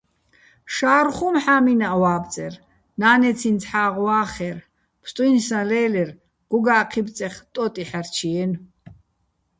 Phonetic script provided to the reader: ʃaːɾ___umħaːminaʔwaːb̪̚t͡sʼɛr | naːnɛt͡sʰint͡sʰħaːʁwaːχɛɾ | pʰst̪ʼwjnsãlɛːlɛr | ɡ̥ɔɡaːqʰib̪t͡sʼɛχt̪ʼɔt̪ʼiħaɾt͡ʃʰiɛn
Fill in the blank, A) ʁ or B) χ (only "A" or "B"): B